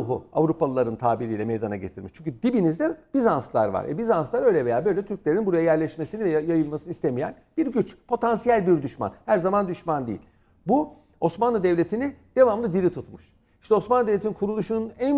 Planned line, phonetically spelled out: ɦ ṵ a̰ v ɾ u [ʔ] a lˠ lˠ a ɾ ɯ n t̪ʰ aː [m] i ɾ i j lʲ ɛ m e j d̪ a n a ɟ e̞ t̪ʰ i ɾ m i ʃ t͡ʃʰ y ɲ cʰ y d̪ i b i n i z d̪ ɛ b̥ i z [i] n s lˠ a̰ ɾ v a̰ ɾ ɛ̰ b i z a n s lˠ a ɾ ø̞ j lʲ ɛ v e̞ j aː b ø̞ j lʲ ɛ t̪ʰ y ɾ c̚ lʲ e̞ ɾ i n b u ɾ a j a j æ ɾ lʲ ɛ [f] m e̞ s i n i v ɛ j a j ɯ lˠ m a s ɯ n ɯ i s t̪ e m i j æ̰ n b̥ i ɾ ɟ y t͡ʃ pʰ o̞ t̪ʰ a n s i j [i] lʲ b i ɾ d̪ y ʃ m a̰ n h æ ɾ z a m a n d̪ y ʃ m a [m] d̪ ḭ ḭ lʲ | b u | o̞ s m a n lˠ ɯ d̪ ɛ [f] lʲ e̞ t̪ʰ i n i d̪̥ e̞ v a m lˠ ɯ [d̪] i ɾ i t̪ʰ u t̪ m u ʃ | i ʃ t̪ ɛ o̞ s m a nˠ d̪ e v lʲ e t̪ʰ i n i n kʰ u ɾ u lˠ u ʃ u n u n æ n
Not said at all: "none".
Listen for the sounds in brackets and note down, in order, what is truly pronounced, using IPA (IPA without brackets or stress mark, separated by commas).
p, b, a, ʃ, æ, n, v, d̪